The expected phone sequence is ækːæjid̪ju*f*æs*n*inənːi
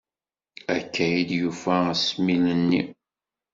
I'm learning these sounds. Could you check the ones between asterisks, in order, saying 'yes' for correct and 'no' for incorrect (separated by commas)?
yes, no